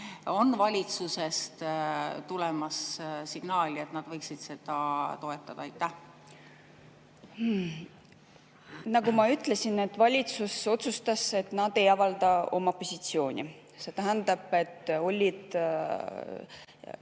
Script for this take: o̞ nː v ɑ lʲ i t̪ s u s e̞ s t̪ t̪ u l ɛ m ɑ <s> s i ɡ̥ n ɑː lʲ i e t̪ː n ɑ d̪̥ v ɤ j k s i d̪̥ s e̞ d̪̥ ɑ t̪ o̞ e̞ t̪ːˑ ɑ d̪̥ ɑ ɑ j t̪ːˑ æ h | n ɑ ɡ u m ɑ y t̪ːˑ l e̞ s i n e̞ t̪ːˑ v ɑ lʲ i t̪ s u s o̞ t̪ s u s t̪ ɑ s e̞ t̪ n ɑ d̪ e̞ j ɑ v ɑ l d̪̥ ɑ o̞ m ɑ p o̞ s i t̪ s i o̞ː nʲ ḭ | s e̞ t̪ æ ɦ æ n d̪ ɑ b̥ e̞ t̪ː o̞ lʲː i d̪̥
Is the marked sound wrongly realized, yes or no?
no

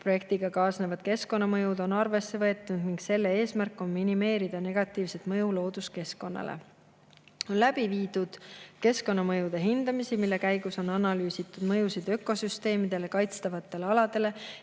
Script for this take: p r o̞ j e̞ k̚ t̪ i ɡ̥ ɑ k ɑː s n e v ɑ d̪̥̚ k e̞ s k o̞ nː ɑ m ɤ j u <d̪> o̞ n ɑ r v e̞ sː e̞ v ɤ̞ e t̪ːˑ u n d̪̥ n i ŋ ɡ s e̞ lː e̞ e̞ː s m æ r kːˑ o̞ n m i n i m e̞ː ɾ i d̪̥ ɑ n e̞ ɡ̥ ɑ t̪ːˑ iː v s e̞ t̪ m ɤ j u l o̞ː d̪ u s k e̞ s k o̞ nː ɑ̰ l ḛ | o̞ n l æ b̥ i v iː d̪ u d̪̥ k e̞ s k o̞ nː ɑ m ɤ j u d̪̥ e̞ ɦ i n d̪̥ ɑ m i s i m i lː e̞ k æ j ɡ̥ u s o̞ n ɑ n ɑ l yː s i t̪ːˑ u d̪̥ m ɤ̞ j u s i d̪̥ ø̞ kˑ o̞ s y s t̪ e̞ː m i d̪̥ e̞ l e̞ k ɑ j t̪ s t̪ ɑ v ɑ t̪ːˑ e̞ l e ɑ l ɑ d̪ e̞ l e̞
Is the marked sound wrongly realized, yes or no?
no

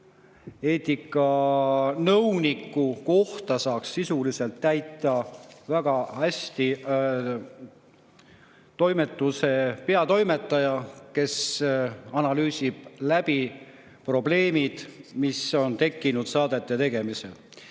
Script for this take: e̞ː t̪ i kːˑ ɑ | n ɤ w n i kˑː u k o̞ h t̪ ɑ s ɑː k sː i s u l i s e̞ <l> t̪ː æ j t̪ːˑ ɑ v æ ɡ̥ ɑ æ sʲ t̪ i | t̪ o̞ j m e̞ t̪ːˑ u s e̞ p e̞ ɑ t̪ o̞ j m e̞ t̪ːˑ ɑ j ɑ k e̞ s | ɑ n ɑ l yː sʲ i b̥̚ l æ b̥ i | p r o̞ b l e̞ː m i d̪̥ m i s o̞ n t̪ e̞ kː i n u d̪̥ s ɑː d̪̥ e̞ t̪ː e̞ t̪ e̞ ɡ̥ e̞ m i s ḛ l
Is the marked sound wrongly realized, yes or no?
no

